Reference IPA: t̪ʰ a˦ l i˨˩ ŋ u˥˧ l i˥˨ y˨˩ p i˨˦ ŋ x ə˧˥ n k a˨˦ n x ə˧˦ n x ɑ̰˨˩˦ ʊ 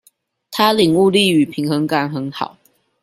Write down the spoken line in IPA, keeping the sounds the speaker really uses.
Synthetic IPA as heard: t̪ʰ a˦ l i˨˩ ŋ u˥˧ l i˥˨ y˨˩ pʰ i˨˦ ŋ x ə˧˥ ŋ k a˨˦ n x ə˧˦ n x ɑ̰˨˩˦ ʊ